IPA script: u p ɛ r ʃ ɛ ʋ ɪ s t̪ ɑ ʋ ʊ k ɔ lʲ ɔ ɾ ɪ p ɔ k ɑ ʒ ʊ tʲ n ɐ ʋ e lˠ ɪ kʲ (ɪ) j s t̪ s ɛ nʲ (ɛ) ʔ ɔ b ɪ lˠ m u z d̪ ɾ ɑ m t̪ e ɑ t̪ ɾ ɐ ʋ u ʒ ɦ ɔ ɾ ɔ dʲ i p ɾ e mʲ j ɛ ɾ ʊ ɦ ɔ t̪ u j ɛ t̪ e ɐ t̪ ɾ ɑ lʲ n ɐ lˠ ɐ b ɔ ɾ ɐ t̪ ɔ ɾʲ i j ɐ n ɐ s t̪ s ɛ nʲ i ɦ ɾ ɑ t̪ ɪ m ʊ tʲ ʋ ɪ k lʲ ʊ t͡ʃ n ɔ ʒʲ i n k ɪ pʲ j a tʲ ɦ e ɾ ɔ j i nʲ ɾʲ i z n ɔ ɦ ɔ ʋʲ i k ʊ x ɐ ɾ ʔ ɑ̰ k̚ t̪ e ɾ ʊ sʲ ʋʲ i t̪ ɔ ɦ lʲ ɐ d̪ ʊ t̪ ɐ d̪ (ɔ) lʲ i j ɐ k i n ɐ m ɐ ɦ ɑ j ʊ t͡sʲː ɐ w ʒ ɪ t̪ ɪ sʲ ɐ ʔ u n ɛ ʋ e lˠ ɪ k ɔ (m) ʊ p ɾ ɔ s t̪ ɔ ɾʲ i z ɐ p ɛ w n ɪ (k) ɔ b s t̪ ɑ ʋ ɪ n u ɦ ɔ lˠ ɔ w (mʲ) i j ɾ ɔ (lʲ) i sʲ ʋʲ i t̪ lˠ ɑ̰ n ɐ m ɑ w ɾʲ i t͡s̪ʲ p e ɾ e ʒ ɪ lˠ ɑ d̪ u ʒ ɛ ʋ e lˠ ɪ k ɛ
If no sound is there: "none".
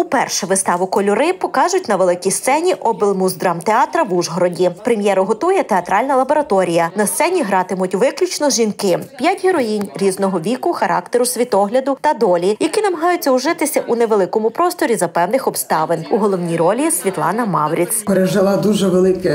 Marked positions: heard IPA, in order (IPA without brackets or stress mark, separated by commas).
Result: i, i, ɔ, m, x, nʲ, lʲ